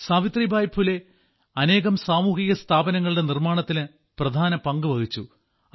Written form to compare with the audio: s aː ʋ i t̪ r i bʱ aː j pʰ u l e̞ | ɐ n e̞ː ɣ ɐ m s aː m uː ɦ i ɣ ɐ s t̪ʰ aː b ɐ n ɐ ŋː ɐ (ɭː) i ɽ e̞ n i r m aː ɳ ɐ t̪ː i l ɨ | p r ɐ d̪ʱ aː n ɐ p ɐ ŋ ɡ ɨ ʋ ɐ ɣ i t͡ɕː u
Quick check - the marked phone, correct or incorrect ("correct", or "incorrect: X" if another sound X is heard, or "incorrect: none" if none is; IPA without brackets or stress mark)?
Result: incorrect: ɭ